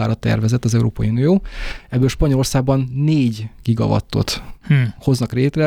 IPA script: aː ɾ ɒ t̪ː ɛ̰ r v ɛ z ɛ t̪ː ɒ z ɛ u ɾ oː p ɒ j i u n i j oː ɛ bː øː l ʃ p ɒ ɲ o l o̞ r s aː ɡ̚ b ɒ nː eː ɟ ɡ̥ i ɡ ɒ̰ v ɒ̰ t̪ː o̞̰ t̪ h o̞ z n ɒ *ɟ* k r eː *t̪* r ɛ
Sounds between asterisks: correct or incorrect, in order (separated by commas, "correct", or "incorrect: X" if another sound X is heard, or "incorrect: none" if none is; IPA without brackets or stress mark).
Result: incorrect: none, correct